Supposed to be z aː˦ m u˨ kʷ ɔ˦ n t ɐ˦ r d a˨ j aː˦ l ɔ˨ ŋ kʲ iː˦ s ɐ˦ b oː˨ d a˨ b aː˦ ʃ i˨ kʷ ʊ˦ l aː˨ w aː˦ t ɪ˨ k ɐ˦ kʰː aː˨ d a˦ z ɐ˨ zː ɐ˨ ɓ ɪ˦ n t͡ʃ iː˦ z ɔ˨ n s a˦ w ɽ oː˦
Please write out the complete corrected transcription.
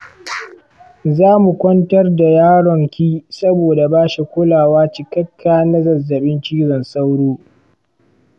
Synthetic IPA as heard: z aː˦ m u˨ kʷ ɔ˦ n t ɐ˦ r d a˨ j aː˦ ɽ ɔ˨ ŋ kʲ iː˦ s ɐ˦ b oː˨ d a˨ b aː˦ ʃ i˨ kʷ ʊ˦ l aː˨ w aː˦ t͡ʃ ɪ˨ k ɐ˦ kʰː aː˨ n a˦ z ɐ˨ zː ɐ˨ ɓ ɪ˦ n t͡ʃ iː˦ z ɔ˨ n s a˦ w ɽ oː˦